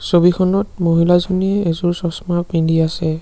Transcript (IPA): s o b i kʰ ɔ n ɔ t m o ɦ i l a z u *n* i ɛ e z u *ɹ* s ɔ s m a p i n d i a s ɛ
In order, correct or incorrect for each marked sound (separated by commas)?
correct, correct